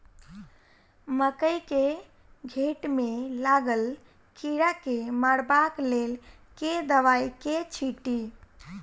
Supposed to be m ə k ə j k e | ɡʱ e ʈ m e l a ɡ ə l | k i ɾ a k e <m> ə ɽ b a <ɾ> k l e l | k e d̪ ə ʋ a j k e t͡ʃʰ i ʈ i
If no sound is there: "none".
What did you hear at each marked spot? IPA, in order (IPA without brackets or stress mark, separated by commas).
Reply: m, none